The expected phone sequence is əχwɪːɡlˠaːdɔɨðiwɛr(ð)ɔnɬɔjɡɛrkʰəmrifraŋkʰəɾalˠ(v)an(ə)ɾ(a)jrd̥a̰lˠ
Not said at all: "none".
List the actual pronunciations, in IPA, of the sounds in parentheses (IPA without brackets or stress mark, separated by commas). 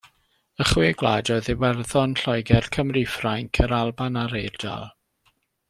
ð, b, a, e